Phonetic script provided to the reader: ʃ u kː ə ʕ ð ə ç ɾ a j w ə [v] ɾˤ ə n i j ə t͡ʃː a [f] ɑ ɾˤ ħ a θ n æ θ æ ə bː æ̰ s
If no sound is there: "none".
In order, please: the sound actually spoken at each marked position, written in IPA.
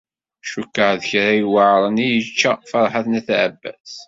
ʕ, f

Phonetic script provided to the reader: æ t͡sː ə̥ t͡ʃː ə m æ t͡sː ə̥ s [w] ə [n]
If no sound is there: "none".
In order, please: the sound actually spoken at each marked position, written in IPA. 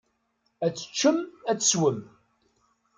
w, m

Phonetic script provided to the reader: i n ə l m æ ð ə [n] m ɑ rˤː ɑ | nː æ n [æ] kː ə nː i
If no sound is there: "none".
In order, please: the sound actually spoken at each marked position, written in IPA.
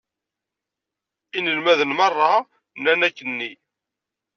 n, æ

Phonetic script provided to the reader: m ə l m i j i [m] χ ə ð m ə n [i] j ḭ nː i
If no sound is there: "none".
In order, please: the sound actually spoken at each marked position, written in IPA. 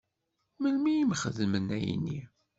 m, æ

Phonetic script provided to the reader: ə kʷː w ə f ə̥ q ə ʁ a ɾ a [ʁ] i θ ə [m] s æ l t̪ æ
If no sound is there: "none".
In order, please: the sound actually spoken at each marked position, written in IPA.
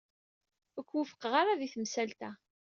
ð, m

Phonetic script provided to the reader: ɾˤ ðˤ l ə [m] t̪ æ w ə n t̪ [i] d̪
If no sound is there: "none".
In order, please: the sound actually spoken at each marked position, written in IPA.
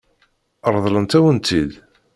n, i

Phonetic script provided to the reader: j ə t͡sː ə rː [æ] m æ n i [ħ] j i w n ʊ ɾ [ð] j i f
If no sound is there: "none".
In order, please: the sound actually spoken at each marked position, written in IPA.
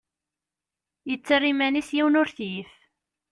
i, s, θ

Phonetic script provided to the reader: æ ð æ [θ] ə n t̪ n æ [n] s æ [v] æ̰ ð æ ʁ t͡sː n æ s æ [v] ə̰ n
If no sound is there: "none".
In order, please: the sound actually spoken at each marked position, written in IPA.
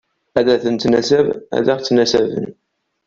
θ, none, v, v

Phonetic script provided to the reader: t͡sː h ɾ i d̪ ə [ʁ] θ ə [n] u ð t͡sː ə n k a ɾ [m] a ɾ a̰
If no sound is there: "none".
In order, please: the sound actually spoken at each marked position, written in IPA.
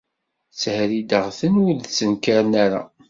ʁ, n, n

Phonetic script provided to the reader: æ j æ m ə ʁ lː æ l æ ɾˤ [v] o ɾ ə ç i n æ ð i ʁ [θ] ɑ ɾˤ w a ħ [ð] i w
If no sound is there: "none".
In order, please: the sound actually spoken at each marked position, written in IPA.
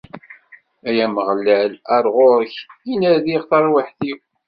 ʁ, θ, θ

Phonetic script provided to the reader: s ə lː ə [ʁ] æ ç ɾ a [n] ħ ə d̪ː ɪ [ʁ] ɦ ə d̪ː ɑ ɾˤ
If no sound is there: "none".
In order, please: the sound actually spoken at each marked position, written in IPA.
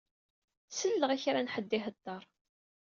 ʁ, n, none

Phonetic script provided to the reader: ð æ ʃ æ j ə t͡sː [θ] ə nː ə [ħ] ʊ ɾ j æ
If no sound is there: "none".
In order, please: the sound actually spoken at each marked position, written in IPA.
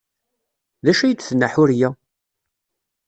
θ, ħ

